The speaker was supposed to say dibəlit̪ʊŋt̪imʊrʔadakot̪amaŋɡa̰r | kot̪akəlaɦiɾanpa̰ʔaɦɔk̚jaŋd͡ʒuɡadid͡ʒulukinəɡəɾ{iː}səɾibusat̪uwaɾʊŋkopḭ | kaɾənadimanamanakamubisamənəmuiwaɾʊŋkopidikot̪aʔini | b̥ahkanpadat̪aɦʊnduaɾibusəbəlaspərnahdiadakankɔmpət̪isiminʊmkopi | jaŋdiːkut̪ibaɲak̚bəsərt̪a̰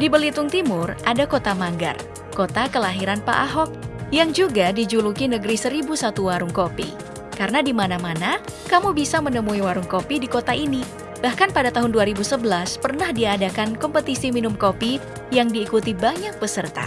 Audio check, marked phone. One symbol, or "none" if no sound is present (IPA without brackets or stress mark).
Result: i